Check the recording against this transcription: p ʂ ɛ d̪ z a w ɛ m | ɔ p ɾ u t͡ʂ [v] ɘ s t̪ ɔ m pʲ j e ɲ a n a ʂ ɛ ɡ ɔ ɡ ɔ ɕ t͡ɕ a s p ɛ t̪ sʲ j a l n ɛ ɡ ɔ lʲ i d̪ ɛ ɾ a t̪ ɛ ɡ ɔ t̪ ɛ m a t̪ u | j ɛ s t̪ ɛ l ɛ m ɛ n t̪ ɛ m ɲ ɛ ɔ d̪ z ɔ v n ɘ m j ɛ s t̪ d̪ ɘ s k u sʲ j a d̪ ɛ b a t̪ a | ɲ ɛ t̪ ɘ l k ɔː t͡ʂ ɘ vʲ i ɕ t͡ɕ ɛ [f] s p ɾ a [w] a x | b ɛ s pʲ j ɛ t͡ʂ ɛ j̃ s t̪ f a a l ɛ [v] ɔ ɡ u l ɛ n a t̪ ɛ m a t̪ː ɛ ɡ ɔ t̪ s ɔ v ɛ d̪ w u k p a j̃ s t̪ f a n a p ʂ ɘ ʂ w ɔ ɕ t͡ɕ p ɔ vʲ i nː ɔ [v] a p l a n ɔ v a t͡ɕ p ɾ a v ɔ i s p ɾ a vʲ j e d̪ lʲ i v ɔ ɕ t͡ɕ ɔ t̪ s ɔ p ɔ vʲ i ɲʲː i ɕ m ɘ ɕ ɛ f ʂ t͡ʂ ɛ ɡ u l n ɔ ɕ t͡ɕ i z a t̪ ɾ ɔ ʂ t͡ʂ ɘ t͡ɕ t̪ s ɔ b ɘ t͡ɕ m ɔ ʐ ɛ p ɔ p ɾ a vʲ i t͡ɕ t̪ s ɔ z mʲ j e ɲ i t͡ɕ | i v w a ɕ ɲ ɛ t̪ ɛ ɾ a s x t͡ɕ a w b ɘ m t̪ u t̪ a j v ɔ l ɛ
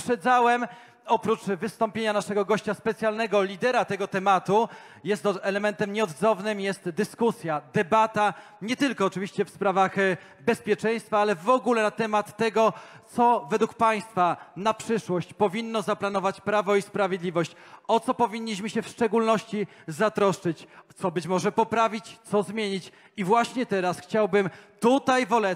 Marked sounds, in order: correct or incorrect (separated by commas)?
correct, correct, incorrect, correct, incorrect